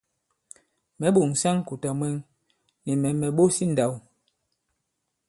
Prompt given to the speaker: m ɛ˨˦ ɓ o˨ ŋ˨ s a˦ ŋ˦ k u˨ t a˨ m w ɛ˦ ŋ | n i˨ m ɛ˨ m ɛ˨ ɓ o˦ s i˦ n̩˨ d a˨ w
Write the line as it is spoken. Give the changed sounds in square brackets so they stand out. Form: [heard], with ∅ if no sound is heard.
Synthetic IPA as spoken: m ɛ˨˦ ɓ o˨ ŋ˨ s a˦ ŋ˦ k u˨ t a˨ m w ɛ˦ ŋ | n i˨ m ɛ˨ m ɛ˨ ɓ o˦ s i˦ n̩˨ d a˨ w